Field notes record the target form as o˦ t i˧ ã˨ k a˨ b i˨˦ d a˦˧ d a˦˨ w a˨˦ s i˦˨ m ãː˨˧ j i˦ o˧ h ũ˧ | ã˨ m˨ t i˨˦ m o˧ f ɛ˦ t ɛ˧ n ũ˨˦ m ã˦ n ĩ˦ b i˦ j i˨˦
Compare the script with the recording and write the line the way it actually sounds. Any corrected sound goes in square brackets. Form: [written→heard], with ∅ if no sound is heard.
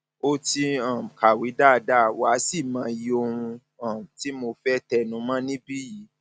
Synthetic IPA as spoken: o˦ t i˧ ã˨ k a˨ [b→w] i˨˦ d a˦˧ d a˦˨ w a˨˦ s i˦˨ m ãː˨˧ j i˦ o˧ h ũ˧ | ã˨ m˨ t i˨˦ m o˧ f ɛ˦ t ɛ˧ n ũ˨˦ m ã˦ n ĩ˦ b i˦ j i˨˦